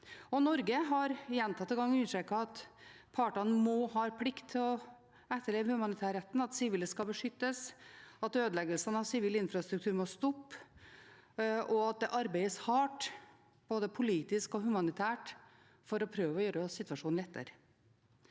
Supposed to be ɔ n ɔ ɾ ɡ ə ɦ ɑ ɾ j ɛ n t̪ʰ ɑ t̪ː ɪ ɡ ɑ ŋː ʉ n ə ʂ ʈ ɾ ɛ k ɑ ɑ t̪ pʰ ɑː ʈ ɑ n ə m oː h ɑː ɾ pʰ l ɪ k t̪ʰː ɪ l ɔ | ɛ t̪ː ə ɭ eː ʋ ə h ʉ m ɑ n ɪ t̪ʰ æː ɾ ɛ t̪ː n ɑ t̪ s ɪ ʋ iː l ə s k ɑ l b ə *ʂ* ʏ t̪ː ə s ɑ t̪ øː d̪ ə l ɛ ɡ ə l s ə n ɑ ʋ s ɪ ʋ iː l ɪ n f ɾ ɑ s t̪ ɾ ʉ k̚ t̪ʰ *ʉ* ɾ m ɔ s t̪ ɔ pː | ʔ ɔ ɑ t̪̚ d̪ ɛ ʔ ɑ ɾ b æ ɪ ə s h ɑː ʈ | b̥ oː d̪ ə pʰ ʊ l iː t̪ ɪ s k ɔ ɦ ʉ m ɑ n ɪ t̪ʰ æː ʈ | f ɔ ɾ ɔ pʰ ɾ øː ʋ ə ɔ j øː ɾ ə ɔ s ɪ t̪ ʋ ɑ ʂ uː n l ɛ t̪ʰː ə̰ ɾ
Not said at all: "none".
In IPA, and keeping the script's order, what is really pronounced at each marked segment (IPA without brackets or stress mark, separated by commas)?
ʂ, ʉː